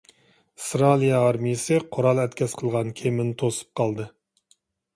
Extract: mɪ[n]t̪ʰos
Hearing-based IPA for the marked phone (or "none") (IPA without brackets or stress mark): n